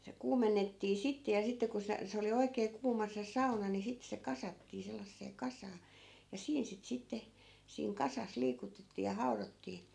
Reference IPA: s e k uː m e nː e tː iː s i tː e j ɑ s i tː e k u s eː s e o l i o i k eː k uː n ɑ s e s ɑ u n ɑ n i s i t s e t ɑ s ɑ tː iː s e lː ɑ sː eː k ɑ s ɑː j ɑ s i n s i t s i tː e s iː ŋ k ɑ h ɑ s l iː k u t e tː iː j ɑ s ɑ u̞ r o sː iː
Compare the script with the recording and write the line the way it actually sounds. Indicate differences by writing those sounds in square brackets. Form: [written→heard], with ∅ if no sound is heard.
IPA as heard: s e k uː m e nː e tː iː s i tː e j ɑ s i tː e k u s [eː→e] s e o l i o i k eː k uː [n→m] ɑ s e s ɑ u n ɑ n i s i t s e [t→k] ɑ s ɑ tː iː s e lː ɑ sː eː k ɑ s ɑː j ɑ s [i→iː] n s i t s i tː e s iː ŋ k ɑ [h→s] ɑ s l iː k u t e tː iː j ɑ [s→h] ɑ u̞ r o [sː→tː] iː